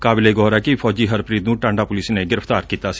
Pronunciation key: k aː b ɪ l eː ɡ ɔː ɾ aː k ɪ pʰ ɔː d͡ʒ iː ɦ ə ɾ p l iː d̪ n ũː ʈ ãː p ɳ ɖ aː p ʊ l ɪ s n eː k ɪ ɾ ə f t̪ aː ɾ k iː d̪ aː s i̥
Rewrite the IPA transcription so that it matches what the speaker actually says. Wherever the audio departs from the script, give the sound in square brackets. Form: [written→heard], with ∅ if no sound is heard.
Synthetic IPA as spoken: k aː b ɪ l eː ɡ ɔː ɾ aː k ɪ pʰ ɔː d͡ʒ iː ɦ ə ɾ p [l→ɾ] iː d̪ n ũː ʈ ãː [p→∅] ɳ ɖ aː p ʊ l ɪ s n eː [k→ɡ] ɪ ɾ ə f t̪ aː ɾ k iː [d̪→t̪] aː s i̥